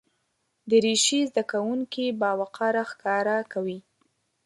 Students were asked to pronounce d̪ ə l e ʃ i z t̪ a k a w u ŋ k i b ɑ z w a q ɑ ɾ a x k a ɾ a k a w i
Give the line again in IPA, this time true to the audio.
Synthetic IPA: d̪ ə ɾ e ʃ i z d̪ a k a w u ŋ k i b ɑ w a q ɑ ɾ a x k ɑ ɾ a k a w i